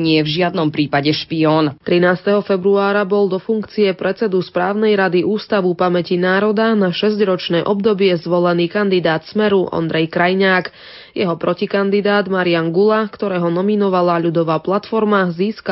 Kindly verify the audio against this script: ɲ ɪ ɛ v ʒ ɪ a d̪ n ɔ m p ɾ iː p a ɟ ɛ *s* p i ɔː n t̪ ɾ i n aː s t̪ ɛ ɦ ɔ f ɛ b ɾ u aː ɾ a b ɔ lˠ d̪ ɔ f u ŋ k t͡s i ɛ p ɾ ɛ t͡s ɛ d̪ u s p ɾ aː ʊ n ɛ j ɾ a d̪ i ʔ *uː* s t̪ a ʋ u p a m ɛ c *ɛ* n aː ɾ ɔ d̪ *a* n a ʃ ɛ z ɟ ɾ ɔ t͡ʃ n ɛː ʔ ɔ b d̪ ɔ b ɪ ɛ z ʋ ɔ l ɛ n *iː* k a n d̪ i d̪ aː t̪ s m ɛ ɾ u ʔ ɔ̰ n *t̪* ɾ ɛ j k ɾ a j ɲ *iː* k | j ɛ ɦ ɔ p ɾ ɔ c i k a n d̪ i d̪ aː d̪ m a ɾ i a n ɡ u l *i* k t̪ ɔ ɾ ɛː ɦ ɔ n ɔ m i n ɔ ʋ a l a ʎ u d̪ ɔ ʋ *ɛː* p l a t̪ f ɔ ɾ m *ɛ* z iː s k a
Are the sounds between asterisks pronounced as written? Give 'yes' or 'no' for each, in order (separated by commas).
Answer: no, yes, no, yes, yes, no, no, no, no, no